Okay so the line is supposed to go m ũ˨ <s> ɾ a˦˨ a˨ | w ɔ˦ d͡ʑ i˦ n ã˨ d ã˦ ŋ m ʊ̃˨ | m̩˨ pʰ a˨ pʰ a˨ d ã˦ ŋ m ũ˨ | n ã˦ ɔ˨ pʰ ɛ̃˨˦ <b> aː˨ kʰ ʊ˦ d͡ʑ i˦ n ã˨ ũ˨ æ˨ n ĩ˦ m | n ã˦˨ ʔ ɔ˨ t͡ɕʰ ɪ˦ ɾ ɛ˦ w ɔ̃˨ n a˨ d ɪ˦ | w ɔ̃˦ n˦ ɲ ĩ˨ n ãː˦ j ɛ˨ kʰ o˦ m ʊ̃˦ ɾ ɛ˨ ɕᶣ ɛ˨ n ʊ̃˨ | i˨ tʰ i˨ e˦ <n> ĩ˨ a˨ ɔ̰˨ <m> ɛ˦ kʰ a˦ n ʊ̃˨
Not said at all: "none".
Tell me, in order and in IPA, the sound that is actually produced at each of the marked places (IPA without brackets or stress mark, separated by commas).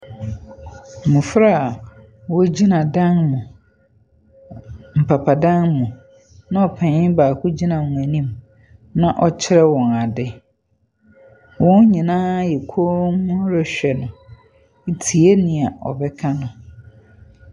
f, b, n, b